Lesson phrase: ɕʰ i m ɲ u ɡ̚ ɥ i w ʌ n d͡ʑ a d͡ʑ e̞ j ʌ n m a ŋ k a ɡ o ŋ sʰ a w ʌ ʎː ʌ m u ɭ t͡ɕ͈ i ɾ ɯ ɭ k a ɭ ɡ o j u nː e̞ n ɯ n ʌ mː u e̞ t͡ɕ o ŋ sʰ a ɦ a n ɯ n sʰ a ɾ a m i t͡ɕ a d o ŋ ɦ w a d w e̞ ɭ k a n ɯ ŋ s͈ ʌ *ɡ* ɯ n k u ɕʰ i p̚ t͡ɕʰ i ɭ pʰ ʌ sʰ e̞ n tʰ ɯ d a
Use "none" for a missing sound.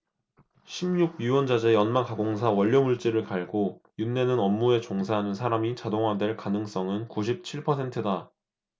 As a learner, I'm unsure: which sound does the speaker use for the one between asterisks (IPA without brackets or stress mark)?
ŋ